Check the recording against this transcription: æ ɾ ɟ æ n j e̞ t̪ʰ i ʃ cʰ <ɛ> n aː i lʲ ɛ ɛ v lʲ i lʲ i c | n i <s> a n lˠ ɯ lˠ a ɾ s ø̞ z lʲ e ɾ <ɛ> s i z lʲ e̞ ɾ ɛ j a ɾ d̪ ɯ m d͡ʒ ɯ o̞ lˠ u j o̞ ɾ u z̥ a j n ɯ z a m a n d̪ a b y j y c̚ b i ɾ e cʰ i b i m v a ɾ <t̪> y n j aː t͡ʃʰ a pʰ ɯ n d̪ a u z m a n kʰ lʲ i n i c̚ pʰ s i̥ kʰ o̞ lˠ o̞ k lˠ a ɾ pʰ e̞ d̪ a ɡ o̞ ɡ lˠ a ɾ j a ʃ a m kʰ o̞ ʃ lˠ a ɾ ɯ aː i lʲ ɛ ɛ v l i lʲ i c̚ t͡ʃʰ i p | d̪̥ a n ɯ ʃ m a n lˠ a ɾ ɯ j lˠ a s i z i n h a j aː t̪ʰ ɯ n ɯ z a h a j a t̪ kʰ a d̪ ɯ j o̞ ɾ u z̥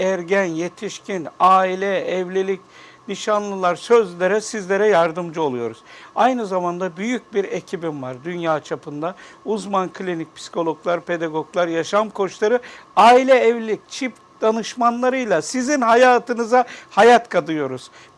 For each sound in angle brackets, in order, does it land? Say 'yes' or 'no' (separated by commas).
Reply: no, no, yes, no